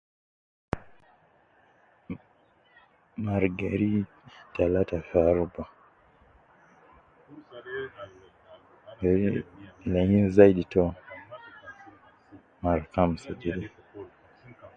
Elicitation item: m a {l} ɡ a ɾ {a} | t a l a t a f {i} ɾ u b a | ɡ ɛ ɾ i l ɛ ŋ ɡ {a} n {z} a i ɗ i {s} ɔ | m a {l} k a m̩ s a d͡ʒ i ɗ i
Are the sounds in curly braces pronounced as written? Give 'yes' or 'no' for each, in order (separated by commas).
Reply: no, no, no, no, yes, no, no